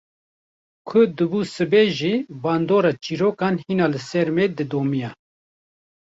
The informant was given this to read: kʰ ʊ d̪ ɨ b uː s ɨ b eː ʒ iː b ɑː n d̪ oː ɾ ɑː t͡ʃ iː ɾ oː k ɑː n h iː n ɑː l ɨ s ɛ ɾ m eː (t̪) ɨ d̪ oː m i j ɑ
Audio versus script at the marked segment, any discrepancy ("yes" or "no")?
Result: yes